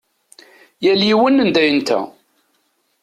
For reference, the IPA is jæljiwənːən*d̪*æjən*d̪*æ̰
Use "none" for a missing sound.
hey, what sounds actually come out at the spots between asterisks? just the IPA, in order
d̪, t̪

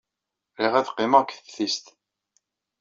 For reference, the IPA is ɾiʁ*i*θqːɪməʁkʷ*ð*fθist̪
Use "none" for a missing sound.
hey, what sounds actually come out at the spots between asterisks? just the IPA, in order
æ, θ

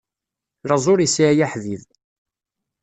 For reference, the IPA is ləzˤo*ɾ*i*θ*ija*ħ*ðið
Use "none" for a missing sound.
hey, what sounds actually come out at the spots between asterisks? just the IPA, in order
ɾ, s, ħ

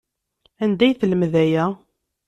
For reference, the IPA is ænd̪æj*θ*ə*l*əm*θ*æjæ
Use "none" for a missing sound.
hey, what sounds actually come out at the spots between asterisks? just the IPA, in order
θ, l, ð

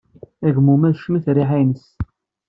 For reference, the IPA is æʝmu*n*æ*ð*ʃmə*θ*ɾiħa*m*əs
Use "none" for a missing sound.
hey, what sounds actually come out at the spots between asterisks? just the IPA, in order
m, ð, θ, n

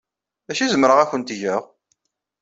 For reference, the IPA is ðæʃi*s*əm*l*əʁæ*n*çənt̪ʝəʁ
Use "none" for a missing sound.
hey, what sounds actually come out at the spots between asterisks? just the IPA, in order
z, ɾ, none

